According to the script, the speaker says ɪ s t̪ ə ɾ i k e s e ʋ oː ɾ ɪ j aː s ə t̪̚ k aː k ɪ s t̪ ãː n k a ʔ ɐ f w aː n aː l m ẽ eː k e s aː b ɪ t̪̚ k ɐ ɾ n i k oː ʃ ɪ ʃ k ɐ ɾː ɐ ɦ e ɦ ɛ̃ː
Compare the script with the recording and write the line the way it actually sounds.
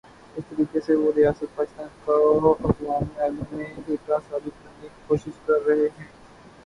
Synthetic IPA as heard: ɪ s t̪ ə ɾ iː k e s e ʋ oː ɾ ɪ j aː s ə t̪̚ p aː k ɪ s t̪ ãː n k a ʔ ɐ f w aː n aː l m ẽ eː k a s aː b ɪ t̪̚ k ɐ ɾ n i k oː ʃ ɪ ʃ k ɐ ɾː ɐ ɦ e ɦ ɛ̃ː